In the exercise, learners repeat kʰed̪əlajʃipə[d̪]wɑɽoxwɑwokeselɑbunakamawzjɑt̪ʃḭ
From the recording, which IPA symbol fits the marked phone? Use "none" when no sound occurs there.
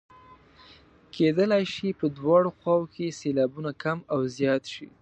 d̪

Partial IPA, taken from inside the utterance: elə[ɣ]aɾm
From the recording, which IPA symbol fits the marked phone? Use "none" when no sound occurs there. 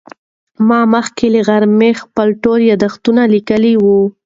ɣ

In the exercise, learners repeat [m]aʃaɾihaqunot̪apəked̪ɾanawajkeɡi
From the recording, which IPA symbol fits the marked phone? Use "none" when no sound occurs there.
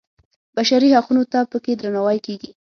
b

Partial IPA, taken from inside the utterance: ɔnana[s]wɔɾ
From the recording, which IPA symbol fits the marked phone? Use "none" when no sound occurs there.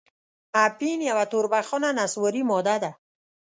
s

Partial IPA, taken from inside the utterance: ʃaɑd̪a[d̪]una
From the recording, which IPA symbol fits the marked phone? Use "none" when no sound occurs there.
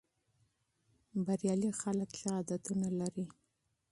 t̪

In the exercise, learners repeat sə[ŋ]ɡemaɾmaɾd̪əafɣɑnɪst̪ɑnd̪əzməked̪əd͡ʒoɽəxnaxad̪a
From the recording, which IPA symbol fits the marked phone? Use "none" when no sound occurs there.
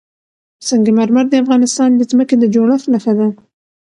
ŋ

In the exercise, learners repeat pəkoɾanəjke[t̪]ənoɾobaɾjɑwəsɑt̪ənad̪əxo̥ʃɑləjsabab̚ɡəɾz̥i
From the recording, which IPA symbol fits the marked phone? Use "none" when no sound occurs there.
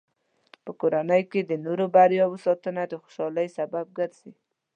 d̪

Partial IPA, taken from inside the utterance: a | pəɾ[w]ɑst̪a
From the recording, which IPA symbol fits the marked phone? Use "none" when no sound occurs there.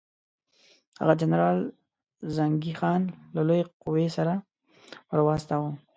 w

